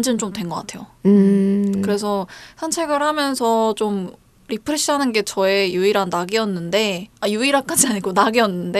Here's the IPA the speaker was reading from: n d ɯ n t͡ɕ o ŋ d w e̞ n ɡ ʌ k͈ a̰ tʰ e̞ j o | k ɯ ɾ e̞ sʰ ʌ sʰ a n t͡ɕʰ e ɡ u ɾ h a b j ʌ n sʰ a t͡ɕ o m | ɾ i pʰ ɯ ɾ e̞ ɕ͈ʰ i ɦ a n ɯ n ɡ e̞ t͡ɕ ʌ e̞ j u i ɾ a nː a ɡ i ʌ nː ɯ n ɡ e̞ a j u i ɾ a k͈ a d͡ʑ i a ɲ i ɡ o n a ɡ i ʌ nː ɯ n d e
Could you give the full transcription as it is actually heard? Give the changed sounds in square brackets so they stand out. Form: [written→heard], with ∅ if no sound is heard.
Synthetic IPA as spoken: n [d→d͡ʑ] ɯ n t͡ɕ o [ŋ→m] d w e̞ n ɡ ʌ k͈ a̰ tʰ e̞ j o | k ɯ ɾ e̞ sʰ ʌ sʰ a n t͡ɕʰ e ɡ [u→ɯ] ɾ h a [b→m] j ʌ n sʰ [a→ʌ] t͡ɕ o m | ɾ i pʰ ɯ ɾ e̞ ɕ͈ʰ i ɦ a n ɯ n ɡ e̞ t͡ɕ ʌ e̞ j u i ɾ a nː a ɡ i ʌ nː ɯ n [ɡ→d] e̞ a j u i ɾ a k͈ a d͡ʑ i a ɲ i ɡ o n a ɡ i ʌ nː ɯ n d e